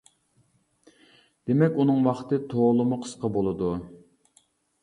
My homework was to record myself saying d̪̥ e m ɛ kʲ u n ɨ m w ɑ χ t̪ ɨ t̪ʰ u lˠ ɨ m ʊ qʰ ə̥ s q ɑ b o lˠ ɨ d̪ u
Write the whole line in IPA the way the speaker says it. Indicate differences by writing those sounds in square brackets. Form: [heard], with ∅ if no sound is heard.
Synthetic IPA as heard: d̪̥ e m ɛ kʲ u n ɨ [ŋ] w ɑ χ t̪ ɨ t̪ʰ [o] lˠ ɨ m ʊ qʰ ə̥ s q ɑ b o lˠ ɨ d̪ u